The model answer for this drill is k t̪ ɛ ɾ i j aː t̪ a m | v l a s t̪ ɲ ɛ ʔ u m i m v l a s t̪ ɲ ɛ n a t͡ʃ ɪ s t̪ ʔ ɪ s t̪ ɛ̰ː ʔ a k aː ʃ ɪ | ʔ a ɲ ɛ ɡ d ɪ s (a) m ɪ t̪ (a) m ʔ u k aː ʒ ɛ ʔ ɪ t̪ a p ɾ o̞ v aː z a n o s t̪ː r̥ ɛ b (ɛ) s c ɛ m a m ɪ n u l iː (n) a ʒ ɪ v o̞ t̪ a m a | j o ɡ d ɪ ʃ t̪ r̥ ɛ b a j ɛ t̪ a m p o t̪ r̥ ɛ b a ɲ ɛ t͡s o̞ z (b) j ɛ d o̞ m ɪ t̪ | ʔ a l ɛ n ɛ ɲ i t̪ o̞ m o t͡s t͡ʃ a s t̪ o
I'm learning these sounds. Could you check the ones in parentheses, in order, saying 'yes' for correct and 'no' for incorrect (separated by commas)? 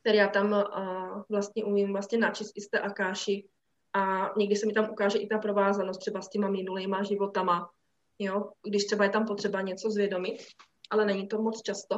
no, yes, no, no, no